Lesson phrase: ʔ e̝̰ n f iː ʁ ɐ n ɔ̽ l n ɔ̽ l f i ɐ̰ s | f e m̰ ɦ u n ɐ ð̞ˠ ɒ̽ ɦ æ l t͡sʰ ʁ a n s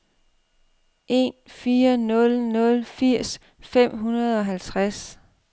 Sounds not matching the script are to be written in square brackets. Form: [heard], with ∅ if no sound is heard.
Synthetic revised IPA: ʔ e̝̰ n f iː [∅] ɐ n ɔ̽ l n ɔ̽ l f i ɐ̰ s | f e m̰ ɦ u n ɐ ð̞ˠ ɒ̽ ɦ æ l t͡sʰ ʁ a [∅] s